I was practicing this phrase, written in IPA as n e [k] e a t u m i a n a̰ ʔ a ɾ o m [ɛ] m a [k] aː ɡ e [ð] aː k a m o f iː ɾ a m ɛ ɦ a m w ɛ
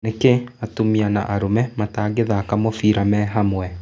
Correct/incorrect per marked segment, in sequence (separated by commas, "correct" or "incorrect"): correct, correct, incorrect, correct